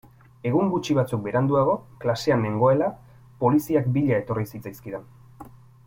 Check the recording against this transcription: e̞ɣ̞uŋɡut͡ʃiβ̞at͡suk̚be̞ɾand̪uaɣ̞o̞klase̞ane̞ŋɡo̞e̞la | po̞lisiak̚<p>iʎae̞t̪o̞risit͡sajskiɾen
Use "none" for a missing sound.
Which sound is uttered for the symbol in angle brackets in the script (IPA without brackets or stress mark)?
b